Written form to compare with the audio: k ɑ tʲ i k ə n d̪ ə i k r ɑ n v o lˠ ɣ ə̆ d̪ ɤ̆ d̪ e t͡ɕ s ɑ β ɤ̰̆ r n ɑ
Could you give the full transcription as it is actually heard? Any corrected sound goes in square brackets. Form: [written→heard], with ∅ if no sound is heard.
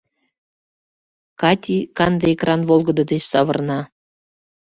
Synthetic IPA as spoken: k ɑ tʲ i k [ə→ɑ] n d̪ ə [i→e] k r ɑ n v o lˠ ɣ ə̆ d̪ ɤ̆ d̪ e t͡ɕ s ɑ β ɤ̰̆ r n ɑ